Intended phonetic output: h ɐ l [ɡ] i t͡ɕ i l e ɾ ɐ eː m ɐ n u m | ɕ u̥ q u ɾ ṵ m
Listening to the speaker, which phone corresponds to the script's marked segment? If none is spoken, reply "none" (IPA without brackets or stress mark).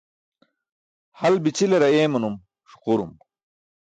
b